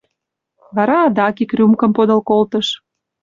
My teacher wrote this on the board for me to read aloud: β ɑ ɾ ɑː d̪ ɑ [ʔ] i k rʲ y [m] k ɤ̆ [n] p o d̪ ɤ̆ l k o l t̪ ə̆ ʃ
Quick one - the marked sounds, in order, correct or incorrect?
incorrect: k, correct, incorrect: m

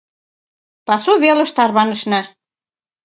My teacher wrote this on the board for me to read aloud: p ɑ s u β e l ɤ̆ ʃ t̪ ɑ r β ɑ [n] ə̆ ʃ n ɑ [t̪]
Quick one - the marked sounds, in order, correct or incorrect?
correct, incorrect: none

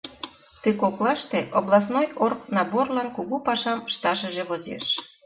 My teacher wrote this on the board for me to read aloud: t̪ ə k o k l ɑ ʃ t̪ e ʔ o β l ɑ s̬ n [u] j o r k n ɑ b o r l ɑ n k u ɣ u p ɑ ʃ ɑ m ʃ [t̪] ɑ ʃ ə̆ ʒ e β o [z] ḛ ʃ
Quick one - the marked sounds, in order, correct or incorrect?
incorrect: o, correct, correct

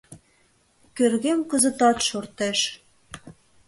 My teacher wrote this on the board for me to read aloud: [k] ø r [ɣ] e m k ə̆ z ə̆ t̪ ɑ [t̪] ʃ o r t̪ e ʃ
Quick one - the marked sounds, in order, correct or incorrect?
correct, correct, correct

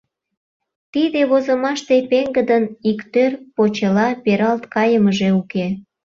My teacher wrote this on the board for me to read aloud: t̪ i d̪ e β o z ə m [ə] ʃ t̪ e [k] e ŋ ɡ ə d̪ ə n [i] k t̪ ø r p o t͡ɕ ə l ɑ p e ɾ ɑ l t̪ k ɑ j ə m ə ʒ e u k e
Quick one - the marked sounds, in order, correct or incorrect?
incorrect: ɑ, incorrect: p, correct

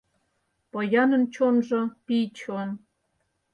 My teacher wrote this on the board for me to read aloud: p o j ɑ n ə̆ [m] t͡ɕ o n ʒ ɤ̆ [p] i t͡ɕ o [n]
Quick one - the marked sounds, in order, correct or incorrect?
incorrect: n, correct, correct

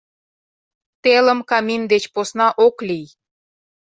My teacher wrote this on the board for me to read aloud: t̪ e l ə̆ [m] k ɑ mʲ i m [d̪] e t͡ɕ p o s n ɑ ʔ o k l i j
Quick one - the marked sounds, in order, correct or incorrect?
correct, correct

